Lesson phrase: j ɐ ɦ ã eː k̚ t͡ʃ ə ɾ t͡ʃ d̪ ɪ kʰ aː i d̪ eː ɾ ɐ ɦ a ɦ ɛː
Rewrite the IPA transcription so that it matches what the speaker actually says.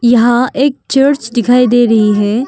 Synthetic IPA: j ɐ ɦ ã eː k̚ t͡ʃ ə ɾ t͡ʃ d̪ ɪ kʰ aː i d̪ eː ɾ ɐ ɦ i ɦ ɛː